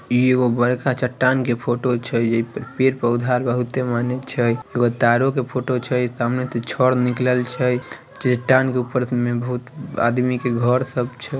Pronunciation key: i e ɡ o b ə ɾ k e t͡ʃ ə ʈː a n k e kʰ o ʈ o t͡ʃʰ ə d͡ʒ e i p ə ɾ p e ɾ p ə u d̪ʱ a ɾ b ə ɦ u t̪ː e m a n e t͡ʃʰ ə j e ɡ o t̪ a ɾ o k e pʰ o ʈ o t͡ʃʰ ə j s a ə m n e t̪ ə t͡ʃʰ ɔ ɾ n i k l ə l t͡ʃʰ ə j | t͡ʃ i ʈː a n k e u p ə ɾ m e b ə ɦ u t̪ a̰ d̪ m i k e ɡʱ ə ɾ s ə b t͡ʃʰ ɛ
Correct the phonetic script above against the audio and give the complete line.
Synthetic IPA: i e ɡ o b ə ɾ k a t͡ʃ ə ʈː a n k e pʰ o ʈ o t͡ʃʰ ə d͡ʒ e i p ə ɾ p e ɾ p ə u d̪ʱ a ɾ b ə ɦ u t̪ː e m a n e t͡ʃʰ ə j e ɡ o t̪ a ɾ o k e pʰ o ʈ o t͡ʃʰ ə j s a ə m n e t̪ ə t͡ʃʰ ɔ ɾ n i k l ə l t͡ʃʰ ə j | t͡ʃ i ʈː a n k e u p ə ɾ m e b ə ɦ u t̪ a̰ d̪ m i k e ɡʱ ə ɾ s ə b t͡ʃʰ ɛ